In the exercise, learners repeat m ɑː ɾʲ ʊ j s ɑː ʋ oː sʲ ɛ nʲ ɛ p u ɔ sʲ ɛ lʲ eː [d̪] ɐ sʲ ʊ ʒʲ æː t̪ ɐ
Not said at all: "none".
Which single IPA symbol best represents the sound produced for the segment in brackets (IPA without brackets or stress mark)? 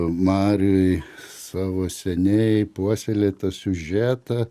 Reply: t̪